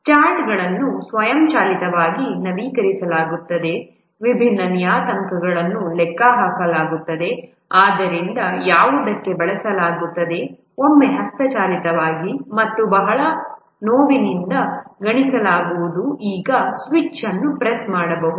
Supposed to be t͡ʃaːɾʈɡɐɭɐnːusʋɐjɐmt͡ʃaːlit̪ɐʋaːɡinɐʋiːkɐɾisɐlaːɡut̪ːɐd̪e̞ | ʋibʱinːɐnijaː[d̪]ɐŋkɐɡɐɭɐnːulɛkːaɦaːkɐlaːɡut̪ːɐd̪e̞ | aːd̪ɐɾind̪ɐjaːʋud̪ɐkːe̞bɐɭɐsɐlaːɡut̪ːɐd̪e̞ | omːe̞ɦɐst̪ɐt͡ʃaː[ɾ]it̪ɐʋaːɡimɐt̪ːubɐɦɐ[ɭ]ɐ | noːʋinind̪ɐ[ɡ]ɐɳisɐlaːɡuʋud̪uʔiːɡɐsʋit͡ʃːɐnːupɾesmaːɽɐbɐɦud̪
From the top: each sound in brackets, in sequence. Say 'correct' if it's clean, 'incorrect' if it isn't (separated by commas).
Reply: incorrect, incorrect, correct, correct